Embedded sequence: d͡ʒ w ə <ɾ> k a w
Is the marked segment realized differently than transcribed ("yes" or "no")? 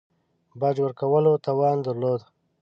no